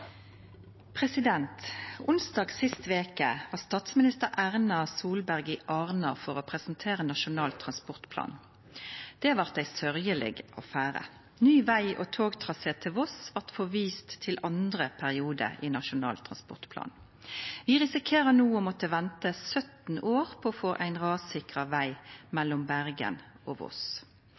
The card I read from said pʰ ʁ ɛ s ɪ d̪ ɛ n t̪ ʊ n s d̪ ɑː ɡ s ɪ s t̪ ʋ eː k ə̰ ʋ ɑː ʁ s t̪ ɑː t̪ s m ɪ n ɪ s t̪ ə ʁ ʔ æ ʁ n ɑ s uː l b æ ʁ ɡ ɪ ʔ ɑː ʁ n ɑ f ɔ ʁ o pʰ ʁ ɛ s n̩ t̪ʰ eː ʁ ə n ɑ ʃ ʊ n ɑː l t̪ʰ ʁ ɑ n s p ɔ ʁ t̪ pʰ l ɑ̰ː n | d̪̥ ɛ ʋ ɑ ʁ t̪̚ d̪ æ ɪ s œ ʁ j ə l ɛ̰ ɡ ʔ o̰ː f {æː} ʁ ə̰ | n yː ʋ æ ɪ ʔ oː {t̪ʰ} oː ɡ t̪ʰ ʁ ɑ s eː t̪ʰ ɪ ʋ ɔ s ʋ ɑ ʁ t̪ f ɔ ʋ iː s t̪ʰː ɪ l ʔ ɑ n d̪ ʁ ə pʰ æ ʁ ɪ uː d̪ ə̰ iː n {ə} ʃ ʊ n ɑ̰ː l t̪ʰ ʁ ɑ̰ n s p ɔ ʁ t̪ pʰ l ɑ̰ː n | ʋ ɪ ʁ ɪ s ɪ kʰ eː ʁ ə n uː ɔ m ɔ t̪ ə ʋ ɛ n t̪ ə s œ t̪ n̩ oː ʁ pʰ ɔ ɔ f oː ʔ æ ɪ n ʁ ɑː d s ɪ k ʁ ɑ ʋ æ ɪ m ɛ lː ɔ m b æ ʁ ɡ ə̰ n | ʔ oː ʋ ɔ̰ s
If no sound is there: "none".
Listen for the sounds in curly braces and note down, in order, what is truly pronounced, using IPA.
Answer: æː, t̪ʰ, ɑ

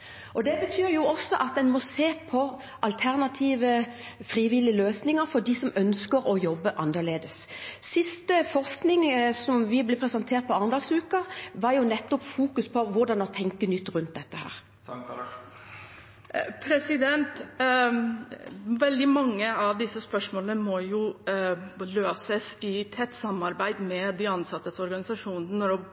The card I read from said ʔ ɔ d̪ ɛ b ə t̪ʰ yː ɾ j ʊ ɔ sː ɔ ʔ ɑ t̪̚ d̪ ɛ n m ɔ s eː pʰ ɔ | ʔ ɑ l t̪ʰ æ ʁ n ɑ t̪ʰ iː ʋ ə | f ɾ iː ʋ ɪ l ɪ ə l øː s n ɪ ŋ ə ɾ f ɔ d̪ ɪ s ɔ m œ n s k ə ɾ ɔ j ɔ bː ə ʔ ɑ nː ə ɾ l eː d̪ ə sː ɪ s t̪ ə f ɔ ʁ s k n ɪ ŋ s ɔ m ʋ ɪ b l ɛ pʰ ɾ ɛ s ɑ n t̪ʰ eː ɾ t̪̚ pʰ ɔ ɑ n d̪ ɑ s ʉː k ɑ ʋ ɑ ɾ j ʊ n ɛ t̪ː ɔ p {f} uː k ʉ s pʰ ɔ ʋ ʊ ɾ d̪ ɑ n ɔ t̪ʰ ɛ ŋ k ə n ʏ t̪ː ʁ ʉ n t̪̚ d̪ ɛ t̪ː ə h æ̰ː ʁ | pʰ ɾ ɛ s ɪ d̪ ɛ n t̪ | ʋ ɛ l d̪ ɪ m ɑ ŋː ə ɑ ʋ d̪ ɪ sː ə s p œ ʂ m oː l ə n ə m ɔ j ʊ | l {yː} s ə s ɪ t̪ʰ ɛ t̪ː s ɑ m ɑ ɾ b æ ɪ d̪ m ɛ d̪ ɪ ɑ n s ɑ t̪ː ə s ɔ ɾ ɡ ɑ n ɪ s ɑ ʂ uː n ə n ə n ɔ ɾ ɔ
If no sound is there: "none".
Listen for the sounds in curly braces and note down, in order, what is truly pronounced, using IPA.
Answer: f, øː

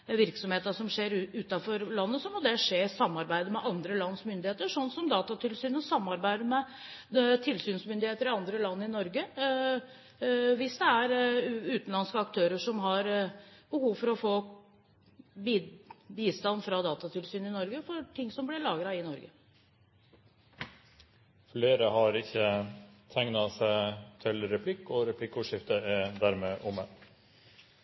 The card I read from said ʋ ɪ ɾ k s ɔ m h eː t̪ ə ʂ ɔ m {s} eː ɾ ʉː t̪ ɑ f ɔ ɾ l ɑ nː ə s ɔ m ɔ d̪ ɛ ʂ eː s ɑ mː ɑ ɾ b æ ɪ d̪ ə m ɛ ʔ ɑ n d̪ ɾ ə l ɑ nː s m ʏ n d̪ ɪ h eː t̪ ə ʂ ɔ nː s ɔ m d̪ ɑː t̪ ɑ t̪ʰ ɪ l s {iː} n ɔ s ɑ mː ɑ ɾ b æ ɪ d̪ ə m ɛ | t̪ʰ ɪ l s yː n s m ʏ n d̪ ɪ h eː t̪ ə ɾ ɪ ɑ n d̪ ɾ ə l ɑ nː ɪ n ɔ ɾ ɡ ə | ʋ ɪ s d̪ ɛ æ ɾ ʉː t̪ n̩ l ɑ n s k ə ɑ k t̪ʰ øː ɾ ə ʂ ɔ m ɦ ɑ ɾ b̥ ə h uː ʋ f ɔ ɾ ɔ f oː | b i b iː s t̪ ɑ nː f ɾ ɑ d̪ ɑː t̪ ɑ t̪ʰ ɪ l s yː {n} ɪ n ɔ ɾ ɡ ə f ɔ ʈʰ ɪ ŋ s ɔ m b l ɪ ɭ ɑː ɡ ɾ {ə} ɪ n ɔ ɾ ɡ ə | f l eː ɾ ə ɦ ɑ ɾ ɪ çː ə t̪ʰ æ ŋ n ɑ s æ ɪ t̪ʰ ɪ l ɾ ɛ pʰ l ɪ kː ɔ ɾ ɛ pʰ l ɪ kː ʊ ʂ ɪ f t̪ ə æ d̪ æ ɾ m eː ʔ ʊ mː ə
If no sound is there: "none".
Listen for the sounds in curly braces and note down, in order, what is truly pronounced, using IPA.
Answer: ʂ, yː, n, ɑ

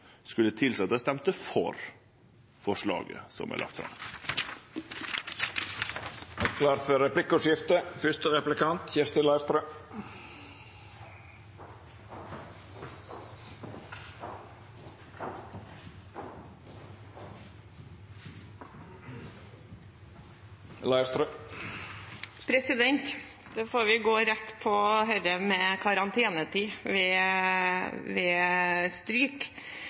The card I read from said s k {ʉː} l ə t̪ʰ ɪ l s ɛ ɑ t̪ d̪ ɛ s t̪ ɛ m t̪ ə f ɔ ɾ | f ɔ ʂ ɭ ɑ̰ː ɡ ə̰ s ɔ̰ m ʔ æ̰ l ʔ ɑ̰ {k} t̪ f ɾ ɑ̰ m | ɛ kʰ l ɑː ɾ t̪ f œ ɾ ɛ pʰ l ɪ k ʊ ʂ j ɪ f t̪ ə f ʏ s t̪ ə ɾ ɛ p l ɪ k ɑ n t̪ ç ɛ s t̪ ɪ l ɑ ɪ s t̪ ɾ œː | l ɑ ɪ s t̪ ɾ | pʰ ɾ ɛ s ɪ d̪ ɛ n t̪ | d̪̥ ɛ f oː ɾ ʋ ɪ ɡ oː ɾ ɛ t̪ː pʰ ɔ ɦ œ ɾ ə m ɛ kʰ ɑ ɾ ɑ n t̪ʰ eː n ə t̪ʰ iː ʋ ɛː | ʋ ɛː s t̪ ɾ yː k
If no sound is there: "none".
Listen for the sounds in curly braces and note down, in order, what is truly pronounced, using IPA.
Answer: ʉ, k

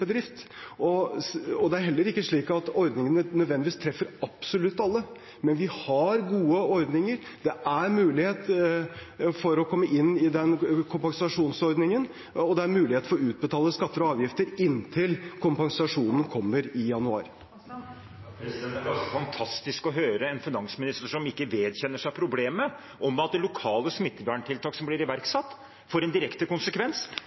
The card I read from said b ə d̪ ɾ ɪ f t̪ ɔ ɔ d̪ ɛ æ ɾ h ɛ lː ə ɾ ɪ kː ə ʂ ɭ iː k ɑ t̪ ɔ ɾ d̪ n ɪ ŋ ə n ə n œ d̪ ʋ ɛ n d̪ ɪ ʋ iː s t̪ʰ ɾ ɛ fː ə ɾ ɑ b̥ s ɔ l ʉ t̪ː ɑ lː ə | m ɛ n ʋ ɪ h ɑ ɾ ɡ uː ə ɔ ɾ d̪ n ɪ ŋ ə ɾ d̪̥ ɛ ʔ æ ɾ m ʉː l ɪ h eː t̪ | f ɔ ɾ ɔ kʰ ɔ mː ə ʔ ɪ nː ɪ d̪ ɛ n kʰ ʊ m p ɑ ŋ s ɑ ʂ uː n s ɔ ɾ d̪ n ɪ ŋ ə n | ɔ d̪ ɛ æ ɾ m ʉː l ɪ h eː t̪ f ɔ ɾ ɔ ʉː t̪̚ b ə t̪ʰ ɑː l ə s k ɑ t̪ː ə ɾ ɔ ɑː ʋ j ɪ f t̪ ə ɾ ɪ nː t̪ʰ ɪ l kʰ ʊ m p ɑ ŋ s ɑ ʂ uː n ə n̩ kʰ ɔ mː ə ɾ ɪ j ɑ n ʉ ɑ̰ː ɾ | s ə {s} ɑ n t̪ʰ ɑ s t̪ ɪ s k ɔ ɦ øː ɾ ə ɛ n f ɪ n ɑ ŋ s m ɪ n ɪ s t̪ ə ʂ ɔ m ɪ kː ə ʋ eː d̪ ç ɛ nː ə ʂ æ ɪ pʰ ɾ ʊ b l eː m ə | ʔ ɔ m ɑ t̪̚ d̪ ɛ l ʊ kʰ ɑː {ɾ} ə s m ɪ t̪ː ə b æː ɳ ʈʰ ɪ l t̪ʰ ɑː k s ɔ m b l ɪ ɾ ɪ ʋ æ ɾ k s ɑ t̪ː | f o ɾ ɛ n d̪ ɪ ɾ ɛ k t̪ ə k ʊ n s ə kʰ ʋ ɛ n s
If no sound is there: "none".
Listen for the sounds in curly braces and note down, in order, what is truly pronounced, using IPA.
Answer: f, l

